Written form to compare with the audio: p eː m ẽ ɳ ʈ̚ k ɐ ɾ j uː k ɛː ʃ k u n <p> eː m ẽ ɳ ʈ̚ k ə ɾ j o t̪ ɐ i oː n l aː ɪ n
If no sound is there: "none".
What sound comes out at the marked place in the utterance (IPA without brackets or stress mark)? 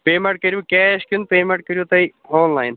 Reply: p